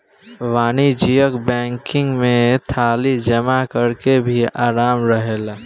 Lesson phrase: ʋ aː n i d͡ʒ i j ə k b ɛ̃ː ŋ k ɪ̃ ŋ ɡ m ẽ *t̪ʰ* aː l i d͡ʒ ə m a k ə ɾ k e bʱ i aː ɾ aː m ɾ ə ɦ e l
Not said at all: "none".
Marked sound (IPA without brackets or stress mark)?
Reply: t̪ʰ